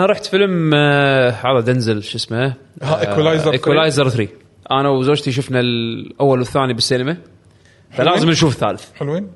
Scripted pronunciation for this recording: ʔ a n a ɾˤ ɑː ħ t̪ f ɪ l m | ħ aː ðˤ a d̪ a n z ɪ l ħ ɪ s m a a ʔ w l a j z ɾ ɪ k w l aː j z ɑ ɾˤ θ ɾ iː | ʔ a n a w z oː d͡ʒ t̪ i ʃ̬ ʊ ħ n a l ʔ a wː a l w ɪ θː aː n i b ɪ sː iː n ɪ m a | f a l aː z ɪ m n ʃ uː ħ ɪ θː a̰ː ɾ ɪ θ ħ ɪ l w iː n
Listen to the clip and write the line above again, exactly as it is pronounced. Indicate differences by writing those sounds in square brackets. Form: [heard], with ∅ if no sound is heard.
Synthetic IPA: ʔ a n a ɾˤ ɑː ħ t̪ f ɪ l m | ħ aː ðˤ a d̪ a n z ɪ l [ʃ] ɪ s m a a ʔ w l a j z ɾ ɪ k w l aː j z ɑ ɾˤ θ ɾ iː | ʔ a n a w z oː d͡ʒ t̪ i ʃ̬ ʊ [f] n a l ʔ a wː a l w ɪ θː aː n i b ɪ sː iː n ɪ m a | f a l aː z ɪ m n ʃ uː [f] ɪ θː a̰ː [l] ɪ θ ħ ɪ l w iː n